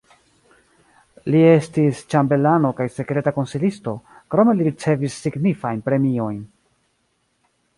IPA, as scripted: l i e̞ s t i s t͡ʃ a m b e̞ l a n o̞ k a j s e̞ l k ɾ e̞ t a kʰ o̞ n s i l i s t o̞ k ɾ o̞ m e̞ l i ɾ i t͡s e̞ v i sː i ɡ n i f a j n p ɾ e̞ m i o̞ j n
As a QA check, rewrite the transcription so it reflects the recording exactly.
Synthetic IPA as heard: l i e̞ s t i s t͡ʃ a m b e̞ l a n o̞ k a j s e̞ k ɾ e̞ t a k o̞ n s i l i s t o̞ k ɾ o̞ m e̞ l i ɾ i t͡s e̞ v i sː i ɡ n i f a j n p ɾ e̞ m i o̞ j n